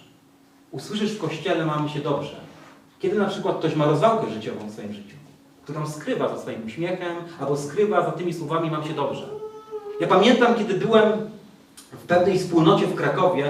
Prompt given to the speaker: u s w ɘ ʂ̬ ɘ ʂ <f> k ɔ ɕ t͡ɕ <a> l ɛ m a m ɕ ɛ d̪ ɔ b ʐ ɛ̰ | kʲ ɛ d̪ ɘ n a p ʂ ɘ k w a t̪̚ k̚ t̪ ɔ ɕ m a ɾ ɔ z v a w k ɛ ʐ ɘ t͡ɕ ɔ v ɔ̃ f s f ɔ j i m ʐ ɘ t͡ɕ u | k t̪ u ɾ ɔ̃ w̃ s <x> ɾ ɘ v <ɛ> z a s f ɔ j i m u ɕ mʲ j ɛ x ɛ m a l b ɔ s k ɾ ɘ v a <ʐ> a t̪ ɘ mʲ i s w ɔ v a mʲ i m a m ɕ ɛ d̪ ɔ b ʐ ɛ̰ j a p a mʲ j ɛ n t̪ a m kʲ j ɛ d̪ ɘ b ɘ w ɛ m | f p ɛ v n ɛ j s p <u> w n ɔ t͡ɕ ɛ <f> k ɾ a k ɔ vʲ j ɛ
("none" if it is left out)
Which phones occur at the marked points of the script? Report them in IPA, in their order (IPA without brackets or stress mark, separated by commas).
f, ɛ, k, a, z, u, f